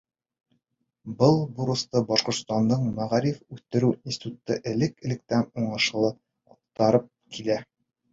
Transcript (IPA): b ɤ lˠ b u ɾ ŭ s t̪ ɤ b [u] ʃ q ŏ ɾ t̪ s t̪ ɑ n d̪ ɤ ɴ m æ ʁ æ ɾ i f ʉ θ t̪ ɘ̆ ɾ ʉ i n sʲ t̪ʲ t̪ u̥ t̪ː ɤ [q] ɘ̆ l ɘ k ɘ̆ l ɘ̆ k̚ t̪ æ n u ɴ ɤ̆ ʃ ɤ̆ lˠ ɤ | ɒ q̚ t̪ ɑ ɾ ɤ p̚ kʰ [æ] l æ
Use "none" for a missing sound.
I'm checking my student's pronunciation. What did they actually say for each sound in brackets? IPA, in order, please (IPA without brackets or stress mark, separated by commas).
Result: ɒ, ʔ, i